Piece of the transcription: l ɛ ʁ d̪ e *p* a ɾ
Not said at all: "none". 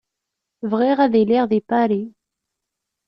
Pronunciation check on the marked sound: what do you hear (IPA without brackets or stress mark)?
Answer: p